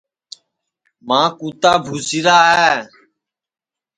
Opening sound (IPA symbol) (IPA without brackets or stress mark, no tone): m